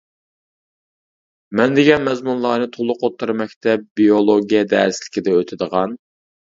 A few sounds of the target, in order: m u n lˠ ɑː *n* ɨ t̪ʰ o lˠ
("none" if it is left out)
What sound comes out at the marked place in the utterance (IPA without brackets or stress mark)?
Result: n